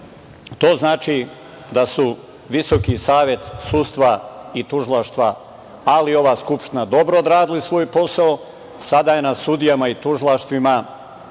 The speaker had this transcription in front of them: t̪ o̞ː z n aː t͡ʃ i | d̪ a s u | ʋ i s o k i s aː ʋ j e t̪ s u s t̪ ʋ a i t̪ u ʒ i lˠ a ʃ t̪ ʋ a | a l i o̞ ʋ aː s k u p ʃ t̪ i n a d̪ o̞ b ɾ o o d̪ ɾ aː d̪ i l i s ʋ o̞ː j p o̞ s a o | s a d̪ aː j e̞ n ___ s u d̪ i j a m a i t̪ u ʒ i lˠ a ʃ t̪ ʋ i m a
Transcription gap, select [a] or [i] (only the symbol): a